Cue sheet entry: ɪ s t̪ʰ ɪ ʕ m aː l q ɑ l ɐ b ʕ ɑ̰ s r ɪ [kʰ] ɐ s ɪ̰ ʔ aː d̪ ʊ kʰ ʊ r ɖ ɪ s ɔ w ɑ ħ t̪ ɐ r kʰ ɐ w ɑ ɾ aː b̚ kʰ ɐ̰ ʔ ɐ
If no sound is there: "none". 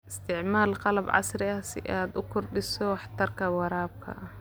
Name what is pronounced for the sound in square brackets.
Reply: none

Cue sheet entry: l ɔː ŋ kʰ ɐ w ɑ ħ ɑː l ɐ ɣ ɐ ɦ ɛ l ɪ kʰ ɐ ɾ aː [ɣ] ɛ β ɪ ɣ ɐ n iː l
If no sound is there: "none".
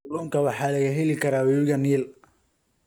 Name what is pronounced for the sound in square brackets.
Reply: w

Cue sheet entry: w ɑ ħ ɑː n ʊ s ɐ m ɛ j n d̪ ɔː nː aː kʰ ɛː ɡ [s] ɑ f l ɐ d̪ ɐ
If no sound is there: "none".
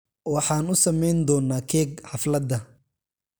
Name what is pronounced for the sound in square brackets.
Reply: ħ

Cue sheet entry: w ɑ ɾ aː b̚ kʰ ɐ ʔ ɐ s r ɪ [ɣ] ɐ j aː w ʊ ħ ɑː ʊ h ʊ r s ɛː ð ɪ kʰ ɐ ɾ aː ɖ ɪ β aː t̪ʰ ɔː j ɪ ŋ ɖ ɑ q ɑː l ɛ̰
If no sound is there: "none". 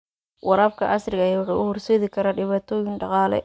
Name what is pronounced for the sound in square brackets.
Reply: ɣ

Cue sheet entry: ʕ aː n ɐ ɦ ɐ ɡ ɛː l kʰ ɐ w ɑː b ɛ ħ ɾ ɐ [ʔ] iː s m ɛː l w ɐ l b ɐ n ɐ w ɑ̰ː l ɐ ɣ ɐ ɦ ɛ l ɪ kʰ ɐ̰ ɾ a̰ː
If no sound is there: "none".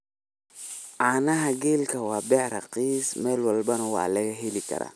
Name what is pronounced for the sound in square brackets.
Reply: q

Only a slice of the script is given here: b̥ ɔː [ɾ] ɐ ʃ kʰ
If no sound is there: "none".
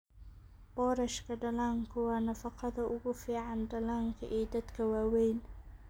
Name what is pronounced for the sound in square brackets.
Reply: ɾ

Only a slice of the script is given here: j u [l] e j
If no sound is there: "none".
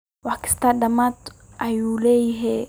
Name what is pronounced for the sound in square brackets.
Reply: l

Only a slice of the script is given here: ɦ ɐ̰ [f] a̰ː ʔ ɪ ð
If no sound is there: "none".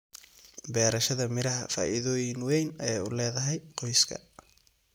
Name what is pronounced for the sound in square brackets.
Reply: f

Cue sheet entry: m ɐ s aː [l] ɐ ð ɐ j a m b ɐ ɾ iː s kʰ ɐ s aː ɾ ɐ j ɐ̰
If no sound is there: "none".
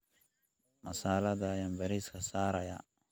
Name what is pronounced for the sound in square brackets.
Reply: l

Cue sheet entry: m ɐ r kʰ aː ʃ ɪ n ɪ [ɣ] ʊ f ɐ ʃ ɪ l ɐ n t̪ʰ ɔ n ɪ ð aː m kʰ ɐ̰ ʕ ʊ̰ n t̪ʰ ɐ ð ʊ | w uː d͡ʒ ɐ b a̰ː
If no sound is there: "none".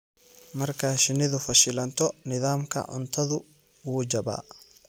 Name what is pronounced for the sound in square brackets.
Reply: ð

